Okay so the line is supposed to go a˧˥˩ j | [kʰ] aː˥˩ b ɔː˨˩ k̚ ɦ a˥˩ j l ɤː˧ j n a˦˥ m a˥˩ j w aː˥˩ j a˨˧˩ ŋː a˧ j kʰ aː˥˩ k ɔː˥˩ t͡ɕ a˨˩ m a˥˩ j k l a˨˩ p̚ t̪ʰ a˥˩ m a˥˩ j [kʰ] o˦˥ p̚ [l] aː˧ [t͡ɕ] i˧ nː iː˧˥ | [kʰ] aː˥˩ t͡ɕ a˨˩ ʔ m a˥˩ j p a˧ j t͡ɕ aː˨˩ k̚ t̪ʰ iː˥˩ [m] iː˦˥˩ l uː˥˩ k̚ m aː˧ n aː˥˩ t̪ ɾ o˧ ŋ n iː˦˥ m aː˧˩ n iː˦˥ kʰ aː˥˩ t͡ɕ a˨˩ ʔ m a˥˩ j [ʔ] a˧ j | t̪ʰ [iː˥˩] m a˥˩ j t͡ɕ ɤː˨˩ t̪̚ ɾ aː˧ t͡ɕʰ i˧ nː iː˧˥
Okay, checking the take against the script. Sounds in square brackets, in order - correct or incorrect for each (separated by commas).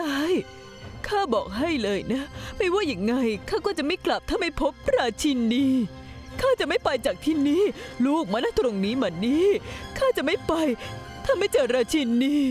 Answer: correct, incorrect, incorrect, incorrect, correct, incorrect, incorrect, incorrect